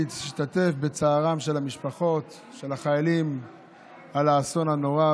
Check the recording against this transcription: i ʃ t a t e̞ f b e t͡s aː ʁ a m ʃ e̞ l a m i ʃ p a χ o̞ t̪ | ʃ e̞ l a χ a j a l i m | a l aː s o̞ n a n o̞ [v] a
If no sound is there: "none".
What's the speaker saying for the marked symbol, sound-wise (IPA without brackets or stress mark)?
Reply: ʁ